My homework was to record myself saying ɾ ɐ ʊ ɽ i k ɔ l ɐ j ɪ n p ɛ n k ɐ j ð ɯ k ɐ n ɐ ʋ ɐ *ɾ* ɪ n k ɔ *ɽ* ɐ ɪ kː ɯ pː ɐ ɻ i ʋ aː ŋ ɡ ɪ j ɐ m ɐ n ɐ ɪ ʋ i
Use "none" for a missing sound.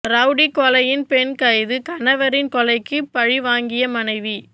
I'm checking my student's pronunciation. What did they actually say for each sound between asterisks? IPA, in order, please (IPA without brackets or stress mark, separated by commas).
ɾ, l